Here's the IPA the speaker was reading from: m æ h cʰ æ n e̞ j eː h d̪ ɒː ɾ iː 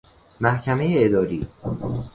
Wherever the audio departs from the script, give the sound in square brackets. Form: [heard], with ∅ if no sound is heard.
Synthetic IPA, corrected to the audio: m æ h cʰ æ [m] e̞ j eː [∅] d̪ ɒː ɾ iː

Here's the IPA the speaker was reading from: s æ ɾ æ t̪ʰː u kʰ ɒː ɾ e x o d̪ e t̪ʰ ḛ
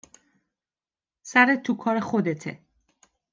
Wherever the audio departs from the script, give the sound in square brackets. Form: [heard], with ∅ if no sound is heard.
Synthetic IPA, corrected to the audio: s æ ɾ [e] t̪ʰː u kʰ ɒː ɾ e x o d̪ e t̪ʰ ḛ

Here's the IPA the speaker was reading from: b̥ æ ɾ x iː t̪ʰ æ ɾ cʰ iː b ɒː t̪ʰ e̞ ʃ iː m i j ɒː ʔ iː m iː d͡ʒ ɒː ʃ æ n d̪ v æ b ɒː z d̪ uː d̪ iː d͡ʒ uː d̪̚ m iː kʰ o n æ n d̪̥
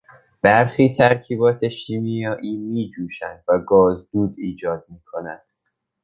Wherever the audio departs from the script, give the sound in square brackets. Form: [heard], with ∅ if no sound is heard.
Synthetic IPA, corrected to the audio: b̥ æ ɾ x iː t̪ʰ æ ɾ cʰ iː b ɒː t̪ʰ e̞ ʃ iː m i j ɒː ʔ iː m iː d͡ʒ [uː] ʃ æ n d̪ v æ [ɡ] ɒː z d̪ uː d̪ iː d͡ʒ [ɒː] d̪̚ m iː kʰ o n æ n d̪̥

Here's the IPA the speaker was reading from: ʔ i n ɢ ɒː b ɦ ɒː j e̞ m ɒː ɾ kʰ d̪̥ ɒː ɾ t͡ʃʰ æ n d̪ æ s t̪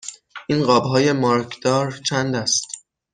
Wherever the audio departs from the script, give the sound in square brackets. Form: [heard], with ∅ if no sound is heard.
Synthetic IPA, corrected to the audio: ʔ i n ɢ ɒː b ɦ ɒː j e̞ m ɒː ɾ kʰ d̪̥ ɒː ɾ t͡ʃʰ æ n d̪ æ s t̪

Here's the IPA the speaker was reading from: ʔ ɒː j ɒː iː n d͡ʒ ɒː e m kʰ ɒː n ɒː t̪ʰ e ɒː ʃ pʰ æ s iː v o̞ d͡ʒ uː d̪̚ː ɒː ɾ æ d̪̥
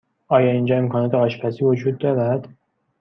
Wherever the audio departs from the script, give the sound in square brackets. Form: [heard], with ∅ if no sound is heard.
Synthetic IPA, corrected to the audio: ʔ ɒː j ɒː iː n d͡ʒ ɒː e m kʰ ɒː n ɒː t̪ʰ e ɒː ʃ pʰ æ s iː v o̞ d͡ʒ uː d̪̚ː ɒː ɾ æ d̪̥

